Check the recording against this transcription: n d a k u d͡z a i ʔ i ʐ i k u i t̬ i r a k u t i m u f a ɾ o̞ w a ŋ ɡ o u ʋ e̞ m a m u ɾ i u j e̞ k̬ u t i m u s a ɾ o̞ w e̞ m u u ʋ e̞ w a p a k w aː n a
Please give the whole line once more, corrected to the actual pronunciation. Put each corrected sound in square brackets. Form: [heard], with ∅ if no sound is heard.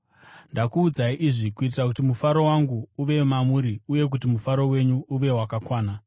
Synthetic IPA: n d a k [uː] d͡z a i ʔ i ʐ i k u i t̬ i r a k u t i m u f a ɾ o̞ w a ŋ ɡ [u] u ʋ e̞ m a m u ɾ i u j e̞ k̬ u t i m u [f] a ɾ o̞ w e̞ [ɲ] u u ʋ e̞ w a [k] a k w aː n a